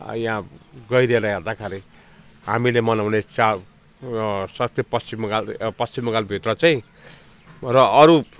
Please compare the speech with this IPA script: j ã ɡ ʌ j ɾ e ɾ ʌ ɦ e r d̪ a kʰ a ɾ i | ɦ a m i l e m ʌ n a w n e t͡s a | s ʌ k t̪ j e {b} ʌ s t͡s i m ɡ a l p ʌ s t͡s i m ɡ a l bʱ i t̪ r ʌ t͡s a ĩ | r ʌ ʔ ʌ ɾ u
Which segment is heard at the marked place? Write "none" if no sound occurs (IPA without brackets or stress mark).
p